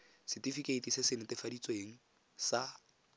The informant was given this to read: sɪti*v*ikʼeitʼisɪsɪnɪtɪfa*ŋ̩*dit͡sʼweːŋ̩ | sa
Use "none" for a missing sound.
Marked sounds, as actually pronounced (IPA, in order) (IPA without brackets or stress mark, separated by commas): f, none